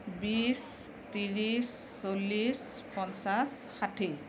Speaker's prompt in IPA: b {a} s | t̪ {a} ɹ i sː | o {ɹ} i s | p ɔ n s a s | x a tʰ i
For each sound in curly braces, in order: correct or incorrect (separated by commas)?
incorrect, incorrect, incorrect